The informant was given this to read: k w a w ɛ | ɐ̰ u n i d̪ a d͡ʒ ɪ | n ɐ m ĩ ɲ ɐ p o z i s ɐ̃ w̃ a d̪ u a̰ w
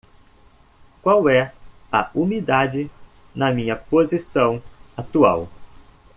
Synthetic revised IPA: k w a w ɛ | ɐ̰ u m i d̪ a d͡ʒ ɪ | n ɐ m ĩ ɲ ɐ p o z i s ɐ̃ w̃ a t̪ u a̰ w